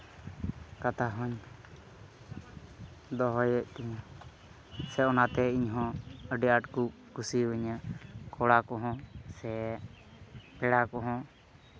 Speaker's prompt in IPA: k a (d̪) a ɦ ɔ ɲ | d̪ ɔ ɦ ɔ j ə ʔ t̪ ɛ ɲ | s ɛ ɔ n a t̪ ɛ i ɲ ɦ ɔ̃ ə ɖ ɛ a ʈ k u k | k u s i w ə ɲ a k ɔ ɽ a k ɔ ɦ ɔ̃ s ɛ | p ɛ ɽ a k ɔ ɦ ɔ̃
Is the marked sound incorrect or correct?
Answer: incorrect